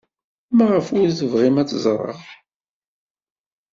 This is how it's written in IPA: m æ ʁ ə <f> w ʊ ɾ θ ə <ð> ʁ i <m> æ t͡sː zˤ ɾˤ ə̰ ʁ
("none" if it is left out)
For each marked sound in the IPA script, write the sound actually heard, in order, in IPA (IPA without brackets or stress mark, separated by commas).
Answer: f, v, m